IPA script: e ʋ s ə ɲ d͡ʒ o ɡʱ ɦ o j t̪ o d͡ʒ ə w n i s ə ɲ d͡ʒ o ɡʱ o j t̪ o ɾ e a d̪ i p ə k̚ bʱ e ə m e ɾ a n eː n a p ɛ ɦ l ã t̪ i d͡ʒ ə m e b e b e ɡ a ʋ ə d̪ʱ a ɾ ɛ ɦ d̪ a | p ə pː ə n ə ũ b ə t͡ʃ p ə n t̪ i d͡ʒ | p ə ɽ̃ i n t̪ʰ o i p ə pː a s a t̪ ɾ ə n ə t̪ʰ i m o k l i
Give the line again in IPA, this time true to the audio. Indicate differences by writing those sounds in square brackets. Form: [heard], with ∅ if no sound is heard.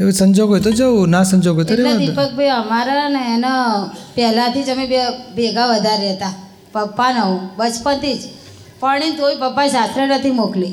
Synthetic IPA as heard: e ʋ s ə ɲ d͡ʒ o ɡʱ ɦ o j t̪ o d͡ʒ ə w n [a] s ə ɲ d͡ʒ o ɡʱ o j t̪ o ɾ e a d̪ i p ə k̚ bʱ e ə m [a] ɾ a n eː n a p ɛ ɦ l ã t̪ i d͡ʒ ə m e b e b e ɡ a ʋ ə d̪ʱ a ɾ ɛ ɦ [t̪] a | p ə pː [a] n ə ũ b ə t͡ʃ p ə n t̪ i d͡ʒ | p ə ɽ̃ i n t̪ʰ o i p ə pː a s a t̪ ɾ ə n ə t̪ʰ i m o k l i